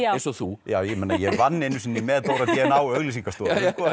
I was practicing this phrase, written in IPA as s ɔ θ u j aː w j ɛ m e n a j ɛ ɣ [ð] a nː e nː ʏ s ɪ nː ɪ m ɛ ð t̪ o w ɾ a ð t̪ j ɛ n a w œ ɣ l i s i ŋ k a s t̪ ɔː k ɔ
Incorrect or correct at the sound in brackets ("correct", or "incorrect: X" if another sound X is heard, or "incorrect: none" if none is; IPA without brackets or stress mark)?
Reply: incorrect: v